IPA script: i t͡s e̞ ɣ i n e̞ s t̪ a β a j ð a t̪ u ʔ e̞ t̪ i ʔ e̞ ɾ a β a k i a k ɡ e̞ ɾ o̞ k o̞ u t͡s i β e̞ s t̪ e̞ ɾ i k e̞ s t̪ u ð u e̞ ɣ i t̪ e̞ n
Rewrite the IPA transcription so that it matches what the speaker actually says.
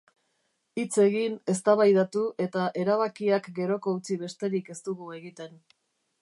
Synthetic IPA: i t͡s e̞ ɣ i n e̞ s t̪ a β a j ð a t̪ u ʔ e̞ t̪ a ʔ e̞ ɾ a β a k i a k ɡ e̞ ɾ o̞ k o̞ u t͡s i β e̞ s t̪ e̞ ɾ i k e̞ s t̪ u ɣ u e̞ ɣ i t̪ e̞ n